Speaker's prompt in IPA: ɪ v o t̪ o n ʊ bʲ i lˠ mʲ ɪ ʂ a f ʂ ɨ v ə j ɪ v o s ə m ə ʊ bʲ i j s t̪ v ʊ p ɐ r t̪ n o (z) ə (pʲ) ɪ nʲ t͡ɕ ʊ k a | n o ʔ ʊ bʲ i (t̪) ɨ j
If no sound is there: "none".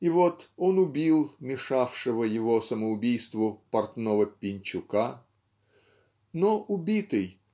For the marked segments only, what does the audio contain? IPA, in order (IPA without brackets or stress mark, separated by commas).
v, pʲ, t̪